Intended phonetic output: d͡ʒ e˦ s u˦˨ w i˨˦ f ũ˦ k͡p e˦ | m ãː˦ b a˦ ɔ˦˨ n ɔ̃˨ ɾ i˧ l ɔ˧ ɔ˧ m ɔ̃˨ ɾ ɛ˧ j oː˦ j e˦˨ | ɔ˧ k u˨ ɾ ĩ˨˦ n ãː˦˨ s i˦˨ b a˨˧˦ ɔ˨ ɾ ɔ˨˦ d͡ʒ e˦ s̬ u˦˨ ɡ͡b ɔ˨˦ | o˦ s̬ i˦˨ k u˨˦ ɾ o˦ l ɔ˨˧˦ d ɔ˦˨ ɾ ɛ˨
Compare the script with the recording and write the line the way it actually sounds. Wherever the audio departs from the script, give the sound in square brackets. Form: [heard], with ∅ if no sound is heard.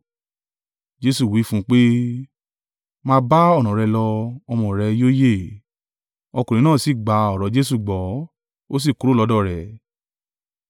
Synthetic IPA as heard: d͡ʒ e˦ s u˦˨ w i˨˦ f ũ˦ k͡p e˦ | m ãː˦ b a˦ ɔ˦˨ n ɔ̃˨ ɾ [ɛ˧] l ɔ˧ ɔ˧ m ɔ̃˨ ɾ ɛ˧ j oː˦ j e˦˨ | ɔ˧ k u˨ ɾ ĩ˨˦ n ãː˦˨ s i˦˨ [ɡ͡b] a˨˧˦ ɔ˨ ɾ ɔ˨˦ d͡ʒ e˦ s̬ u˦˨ ɡ͡b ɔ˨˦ | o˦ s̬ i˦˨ k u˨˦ ɾ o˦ l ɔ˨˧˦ d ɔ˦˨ ɾ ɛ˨